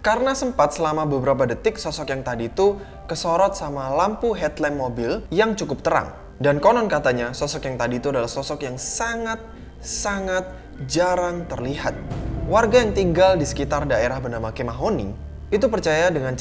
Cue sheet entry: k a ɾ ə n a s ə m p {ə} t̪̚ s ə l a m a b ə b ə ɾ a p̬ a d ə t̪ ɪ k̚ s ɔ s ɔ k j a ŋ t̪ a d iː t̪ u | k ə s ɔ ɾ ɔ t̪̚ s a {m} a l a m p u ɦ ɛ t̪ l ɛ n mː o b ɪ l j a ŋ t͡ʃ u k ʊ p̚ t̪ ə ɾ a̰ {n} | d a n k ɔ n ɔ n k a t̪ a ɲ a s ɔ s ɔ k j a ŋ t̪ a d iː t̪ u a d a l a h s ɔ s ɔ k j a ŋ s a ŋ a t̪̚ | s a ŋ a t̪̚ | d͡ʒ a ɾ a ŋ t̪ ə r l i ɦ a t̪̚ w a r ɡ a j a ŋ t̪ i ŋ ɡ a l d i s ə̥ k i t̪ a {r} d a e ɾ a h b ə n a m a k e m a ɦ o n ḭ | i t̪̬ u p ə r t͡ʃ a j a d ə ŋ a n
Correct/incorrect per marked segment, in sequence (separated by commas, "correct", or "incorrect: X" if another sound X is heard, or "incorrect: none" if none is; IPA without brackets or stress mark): incorrect: a, correct, incorrect: ŋ, correct